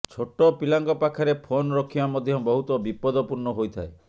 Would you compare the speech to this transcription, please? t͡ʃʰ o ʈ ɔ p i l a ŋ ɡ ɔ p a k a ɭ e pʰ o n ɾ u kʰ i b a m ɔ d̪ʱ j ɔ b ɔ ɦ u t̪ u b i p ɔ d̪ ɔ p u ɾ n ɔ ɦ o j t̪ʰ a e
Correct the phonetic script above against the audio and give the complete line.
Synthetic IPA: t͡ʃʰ o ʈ ɔ p i l a ŋ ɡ ɔ p a kʰ a ɾ e pʰ o n ɾ ɔ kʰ i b a m ɔ d̪ʱ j ɔ b ɔ ɦ u t̪ ɔ b i p ɔ d̪ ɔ p u ɾ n ɔ ɦ o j t̪ʰ a e